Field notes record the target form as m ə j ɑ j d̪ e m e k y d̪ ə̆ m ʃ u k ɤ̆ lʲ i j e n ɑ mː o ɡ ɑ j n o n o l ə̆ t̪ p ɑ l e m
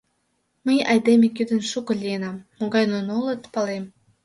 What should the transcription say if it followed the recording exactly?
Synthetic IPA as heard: m ə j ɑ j d̪ e m e k y d̪ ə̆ n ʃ u k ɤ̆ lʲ i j e n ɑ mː o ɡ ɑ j n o n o l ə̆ t̪ p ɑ l e m